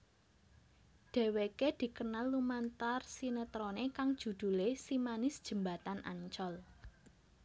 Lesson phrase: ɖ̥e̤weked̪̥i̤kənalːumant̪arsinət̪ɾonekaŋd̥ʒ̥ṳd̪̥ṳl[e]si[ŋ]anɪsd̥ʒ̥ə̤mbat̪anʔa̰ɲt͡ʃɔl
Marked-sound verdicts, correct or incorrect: correct, incorrect: m

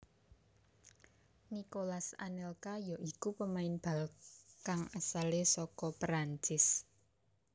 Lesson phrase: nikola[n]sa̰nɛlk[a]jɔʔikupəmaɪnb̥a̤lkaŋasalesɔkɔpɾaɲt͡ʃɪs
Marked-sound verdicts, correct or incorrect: incorrect: none, correct

